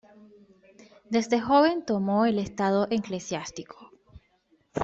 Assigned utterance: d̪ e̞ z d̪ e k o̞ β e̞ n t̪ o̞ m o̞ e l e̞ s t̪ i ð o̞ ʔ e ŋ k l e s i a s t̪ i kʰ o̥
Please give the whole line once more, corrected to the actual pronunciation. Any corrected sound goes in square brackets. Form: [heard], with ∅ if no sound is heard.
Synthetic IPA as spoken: d̪ e̞ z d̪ e [x] o̞ β e̞ n t̪ o̞ m o̞ e l e̞ s t̪ [a] ð o̞ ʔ e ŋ k l e s [j] a s t̪ i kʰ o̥